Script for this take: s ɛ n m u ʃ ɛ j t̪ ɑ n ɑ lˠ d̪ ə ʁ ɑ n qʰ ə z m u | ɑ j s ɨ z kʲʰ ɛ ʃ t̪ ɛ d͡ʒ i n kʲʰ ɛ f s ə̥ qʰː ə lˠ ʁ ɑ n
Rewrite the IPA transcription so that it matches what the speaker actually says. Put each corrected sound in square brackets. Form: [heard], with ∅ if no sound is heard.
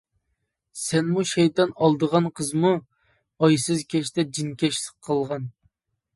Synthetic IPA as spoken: s ɛ n m u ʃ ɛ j t̪ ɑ n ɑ lˠ d̪ ə ʁ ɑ n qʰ ə z m u | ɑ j s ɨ z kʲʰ ɛ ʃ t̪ ɛ d͡ʒ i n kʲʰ ɛ [ʃ] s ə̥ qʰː ə lˠ ʁ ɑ n